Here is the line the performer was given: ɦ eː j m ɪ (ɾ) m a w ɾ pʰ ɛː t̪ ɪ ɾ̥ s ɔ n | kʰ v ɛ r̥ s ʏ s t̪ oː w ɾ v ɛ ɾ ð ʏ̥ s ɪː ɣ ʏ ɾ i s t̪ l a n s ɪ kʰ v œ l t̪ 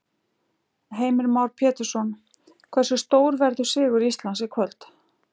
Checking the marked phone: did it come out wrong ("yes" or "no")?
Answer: no